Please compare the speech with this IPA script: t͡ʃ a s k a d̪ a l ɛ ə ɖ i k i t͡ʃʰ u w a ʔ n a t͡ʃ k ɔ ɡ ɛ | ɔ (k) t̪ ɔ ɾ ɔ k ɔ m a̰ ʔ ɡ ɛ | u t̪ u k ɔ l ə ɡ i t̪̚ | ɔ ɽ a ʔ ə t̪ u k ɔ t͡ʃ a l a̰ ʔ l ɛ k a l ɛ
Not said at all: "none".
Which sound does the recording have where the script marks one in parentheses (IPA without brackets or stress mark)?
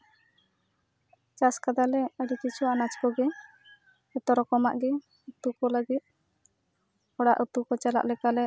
none